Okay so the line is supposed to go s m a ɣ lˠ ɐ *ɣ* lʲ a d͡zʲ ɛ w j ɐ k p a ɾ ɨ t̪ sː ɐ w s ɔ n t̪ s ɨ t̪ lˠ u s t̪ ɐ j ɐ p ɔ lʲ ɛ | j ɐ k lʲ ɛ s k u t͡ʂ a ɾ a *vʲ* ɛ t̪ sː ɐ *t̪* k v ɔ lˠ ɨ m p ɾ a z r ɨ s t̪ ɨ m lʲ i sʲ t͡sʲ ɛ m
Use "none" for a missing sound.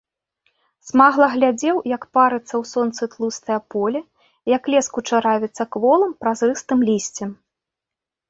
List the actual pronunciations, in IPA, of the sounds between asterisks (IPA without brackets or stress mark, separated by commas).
ɣ, vʲ, none